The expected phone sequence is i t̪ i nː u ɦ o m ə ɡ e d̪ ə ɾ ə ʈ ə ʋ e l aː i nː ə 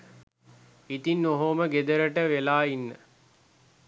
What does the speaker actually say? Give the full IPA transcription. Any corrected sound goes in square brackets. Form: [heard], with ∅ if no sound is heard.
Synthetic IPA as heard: i t̪ i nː [o] ɦ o m ə ɡ e d̪ ə ɾ ə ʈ ə ʋ e l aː i nː ə

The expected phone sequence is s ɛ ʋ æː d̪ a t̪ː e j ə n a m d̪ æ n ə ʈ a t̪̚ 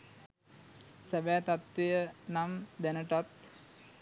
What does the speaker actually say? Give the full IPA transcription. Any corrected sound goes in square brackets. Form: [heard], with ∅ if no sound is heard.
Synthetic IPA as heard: s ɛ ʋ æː [t̪] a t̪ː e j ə n a m d̪ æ n ə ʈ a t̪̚

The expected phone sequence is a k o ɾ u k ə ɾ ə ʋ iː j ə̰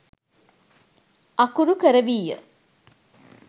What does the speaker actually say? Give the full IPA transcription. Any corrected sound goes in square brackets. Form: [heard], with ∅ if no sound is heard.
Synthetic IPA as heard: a k [u] ɾ u k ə ɾ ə ʋ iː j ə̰

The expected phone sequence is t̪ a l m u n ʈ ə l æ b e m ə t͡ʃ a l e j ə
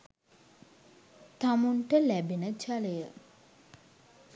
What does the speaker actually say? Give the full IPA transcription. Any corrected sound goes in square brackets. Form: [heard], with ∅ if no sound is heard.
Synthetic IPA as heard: t̪ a [∅] m u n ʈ ə l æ b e [n] ə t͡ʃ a l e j ə

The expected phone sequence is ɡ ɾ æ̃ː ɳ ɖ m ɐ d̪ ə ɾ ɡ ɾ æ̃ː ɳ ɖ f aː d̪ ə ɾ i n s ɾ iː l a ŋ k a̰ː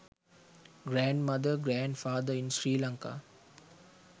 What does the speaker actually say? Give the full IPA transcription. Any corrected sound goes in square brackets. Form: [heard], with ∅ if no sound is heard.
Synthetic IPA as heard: ɡ ɾ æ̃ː ɳ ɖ m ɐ d̪ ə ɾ ɡ ɾ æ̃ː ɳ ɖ f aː d̪ ə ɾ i n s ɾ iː l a ŋ k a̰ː

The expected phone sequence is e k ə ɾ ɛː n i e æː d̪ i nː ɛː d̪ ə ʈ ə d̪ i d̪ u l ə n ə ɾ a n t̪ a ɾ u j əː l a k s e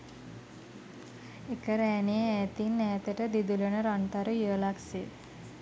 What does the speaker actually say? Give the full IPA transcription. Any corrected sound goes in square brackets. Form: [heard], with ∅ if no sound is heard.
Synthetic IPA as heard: e k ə ɾ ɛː n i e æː [t̪] i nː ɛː [t̪] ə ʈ ə d̪ i d̪ u l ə n ə ɾ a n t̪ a ɾ u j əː l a k s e

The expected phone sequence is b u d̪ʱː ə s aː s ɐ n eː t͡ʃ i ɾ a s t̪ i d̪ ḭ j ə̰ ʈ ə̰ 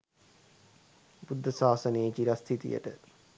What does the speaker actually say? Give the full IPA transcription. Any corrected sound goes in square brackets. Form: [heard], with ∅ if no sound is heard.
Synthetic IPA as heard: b u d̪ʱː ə s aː s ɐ n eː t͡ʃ i ɾ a s [t̪ʰ] i [t̪] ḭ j ə̰ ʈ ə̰

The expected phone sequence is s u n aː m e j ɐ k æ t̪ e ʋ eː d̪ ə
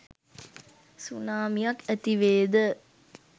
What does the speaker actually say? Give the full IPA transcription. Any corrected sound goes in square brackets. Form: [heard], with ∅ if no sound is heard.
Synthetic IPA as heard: s u n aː m [i] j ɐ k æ t̪ [i] ʋ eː d̪ ə

